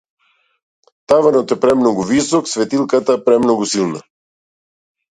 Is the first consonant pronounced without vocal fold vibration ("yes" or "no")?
yes